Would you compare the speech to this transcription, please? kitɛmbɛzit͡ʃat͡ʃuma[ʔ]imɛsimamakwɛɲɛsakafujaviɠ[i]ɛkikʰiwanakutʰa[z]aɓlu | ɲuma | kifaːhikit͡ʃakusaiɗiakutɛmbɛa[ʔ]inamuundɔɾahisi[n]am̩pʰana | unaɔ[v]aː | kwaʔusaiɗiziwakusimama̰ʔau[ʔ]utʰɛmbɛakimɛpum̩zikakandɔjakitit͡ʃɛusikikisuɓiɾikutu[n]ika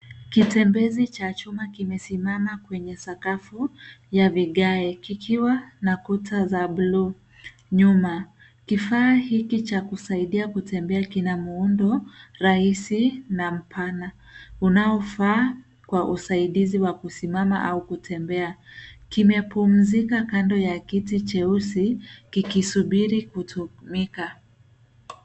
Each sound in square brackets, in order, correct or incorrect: incorrect: k, incorrect: a, correct, incorrect: k, correct, incorrect: f, incorrect: k, incorrect: m

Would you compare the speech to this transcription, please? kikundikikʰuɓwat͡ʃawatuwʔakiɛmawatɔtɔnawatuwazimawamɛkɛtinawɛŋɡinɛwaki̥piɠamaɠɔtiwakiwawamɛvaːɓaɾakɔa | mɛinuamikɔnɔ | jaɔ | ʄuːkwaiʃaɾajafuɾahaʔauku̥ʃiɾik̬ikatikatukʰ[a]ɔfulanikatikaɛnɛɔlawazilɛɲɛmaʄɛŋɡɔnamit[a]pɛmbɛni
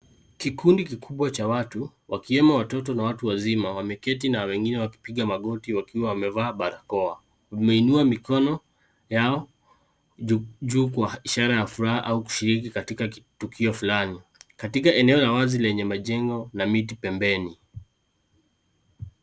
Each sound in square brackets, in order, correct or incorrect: incorrect: i, incorrect: i

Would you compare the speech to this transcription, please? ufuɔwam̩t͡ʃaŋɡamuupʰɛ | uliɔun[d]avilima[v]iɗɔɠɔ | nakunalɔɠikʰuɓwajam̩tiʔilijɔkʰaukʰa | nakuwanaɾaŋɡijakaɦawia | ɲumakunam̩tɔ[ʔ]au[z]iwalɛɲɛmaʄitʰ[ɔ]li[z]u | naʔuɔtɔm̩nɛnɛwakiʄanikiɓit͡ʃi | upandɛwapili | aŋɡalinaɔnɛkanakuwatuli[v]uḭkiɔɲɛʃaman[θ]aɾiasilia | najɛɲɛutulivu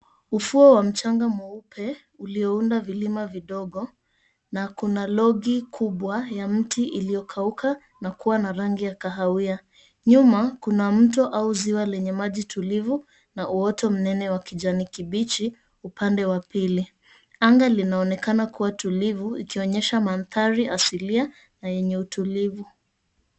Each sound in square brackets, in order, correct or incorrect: correct, correct, correct, correct, incorrect: u, incorrect: v, correct, correct

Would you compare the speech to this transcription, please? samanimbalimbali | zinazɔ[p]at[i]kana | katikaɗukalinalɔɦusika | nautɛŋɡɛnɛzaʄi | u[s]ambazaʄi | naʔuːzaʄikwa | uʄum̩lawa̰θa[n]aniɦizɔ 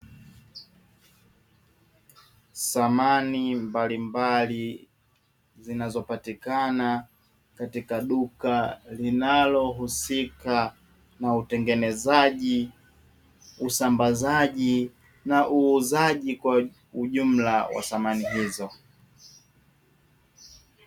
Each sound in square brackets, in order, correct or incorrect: correct, correct, correct, incorrect: m

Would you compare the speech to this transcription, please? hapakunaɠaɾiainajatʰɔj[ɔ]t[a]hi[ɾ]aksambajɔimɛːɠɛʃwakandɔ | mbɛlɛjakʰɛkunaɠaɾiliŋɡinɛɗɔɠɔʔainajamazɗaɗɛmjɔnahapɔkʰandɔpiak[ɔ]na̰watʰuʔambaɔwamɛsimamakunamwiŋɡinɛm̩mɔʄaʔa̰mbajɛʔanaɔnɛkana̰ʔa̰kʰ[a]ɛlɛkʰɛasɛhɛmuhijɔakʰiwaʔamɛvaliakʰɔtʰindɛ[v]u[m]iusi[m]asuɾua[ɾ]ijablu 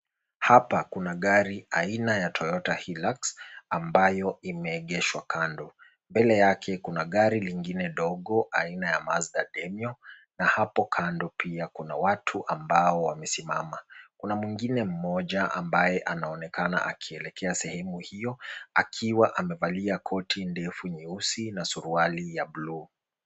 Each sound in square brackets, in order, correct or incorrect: correct, correct, incorrect: l, incorrect: u, incorrect: i, incorrect: f, incorrect: ɲ, incorrect: n, incorrect: l

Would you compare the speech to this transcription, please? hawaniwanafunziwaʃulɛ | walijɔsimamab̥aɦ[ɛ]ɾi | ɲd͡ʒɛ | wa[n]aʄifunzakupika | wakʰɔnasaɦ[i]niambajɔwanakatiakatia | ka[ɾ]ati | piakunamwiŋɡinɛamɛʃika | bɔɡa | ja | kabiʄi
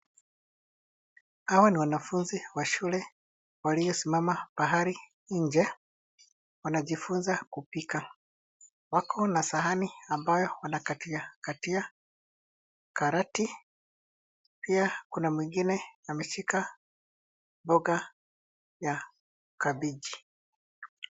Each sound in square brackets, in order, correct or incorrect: incorrect: a, correct, incorrect: a, correct

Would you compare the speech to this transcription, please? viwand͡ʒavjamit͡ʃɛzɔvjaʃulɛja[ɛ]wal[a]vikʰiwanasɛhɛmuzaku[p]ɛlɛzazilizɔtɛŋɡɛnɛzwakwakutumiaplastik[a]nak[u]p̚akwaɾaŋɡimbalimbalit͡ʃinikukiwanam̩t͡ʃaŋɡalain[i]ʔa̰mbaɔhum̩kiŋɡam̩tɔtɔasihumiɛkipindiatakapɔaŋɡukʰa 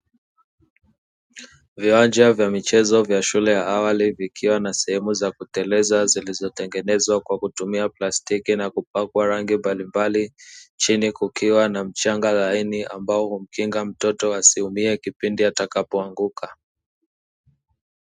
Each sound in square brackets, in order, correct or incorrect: incorrect: a, incorrect: i, incorrect: t, incorrect: i, correct, correct

